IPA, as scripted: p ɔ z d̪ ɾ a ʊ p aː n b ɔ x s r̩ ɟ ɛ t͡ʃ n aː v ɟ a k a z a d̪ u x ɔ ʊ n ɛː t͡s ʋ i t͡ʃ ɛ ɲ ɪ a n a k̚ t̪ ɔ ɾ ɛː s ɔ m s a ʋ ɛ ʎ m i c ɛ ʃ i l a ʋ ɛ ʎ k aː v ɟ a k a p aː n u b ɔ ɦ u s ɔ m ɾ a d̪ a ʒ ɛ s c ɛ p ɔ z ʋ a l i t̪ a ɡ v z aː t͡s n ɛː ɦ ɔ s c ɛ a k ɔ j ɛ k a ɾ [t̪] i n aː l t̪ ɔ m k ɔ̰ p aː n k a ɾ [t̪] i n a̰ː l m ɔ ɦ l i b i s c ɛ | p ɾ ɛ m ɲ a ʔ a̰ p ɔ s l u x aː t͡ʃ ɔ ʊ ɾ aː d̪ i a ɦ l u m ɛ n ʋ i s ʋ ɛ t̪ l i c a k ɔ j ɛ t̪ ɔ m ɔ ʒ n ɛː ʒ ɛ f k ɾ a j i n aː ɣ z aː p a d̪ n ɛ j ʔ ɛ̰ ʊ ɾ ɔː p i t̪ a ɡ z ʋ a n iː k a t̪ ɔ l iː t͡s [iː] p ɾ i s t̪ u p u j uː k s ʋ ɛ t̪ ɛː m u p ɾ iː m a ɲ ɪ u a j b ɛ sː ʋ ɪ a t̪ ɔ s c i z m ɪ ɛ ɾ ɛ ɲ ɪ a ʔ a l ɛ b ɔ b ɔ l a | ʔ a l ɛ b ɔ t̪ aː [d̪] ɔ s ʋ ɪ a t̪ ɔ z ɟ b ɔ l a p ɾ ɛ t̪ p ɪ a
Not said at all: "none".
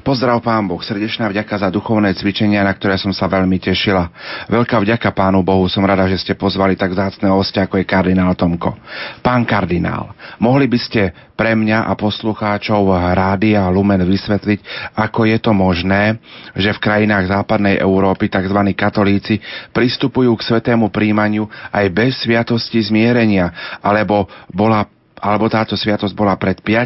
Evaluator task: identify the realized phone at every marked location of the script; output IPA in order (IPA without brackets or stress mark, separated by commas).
d̪, d̪, i, t̪